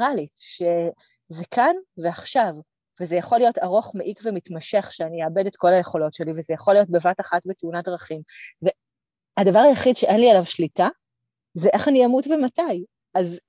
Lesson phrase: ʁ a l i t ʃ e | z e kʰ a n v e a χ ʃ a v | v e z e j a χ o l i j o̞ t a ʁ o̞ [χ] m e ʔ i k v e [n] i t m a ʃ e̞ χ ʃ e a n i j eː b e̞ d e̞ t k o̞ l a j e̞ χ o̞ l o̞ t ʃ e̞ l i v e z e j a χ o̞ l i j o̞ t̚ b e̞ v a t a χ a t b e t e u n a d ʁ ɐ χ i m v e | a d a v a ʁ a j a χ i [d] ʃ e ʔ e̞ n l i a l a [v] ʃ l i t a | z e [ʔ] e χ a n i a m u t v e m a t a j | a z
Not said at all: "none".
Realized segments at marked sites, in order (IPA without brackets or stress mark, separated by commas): χ, m, d, v, ʔ